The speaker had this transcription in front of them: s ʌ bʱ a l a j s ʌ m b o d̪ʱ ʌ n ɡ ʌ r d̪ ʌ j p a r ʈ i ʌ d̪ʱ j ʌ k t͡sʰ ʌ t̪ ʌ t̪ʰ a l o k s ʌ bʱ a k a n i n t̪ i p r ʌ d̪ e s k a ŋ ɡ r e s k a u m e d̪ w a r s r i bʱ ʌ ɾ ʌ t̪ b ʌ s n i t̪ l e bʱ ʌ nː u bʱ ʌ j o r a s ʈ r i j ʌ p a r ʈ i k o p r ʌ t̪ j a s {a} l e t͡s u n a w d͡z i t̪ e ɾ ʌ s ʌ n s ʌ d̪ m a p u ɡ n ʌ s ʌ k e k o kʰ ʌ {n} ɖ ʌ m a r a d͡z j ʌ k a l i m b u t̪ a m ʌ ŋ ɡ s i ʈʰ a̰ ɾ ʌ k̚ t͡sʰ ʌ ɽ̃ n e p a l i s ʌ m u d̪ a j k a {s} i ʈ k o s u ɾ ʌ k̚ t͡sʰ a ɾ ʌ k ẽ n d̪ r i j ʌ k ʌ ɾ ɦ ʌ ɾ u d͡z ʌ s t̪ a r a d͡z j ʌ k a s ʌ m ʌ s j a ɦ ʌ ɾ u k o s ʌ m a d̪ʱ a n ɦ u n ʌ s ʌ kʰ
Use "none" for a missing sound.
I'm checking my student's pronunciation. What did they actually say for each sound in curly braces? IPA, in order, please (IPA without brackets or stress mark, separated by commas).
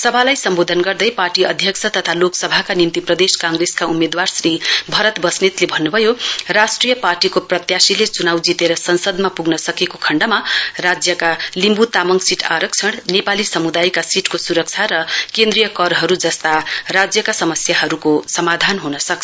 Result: i, ɳ, s